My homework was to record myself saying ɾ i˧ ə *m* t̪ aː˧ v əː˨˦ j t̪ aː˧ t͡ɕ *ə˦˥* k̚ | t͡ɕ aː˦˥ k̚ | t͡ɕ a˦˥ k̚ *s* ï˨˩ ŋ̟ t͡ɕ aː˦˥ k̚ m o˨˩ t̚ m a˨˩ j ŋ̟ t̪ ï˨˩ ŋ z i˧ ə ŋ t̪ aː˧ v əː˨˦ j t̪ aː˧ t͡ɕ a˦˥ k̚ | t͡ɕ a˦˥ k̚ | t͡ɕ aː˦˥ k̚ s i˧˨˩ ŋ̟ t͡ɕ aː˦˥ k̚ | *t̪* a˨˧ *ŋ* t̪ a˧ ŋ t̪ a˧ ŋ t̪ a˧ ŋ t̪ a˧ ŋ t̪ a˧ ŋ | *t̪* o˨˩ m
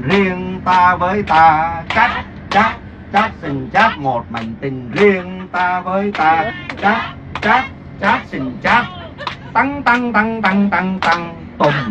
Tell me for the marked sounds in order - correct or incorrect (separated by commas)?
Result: incorrect, incorrect, correct, correct, correct, correct